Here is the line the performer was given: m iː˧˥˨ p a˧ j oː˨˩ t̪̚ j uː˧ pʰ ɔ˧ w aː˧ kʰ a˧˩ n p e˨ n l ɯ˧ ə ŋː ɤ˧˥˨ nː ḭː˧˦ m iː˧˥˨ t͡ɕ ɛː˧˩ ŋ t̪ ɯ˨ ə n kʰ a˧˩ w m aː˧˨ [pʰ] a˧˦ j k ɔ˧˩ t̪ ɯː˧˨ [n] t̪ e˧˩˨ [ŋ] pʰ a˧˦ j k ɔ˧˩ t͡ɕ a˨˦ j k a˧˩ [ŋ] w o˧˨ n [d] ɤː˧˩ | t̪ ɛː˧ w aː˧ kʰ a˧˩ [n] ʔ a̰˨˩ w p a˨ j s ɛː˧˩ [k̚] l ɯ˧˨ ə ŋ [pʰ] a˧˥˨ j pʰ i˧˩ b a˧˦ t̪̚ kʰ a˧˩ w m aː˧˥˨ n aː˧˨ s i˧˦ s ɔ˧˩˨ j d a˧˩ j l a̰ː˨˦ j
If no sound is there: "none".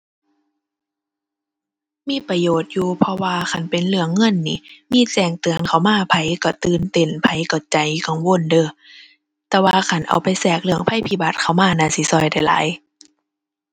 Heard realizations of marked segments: pʰ, n, n, ŋ, d, n, k̚, pʰ

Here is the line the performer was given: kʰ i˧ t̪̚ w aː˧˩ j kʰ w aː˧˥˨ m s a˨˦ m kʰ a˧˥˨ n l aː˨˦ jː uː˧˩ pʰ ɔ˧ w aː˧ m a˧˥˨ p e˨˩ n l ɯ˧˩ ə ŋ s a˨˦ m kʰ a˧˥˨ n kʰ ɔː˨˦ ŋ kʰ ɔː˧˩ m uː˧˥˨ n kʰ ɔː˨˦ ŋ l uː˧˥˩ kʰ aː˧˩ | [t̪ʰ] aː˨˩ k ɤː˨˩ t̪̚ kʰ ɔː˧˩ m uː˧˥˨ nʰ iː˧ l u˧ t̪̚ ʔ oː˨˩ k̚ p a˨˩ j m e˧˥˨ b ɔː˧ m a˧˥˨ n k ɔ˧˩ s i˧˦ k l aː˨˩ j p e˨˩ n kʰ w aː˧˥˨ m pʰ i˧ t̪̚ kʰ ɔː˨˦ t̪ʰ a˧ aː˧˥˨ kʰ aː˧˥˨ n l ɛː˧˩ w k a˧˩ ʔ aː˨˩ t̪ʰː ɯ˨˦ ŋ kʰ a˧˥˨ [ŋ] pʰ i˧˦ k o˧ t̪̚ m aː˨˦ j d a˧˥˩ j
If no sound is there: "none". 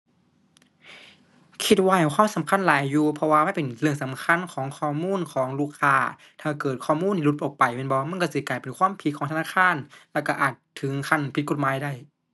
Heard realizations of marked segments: t̪ʰ, n

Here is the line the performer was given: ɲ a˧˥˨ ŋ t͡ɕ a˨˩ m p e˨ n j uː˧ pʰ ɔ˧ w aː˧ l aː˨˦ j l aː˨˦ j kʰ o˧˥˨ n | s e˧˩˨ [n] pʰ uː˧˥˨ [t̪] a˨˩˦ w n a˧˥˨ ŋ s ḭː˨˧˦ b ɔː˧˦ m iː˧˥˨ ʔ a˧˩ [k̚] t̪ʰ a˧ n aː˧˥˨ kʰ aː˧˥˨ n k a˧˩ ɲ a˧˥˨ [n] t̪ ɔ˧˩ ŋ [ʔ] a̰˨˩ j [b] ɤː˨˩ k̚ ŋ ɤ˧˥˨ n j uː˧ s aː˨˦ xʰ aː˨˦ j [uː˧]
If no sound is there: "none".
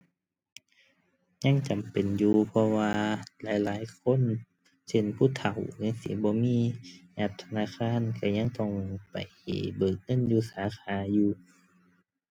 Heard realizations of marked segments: n, t̪ʰ, p̚, ŋ, p, b, uː˧

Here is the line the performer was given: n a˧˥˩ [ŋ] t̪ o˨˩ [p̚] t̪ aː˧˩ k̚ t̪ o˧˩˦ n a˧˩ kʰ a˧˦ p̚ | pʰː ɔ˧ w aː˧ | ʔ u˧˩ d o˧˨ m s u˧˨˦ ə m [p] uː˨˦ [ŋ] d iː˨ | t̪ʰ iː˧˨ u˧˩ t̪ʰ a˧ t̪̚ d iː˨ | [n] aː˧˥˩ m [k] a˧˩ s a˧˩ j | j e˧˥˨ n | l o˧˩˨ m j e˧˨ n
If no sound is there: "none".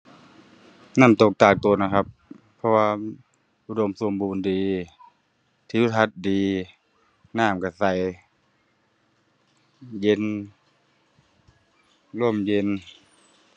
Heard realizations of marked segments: m, k̚, b, n, n, k

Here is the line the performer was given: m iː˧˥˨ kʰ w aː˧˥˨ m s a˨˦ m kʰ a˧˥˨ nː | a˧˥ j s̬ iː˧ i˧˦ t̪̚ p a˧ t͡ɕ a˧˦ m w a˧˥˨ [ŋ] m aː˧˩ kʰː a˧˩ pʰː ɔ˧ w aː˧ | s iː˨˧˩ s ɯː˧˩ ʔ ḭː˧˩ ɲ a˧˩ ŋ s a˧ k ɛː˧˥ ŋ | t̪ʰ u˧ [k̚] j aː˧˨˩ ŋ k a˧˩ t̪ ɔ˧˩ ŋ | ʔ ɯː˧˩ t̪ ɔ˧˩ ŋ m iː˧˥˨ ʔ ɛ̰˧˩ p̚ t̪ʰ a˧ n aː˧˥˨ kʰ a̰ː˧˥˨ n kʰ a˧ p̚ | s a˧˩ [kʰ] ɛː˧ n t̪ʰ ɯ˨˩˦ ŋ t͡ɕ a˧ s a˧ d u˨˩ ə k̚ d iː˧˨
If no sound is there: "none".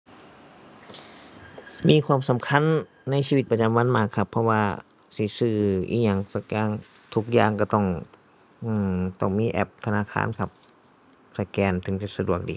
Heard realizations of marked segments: n, k̚, k

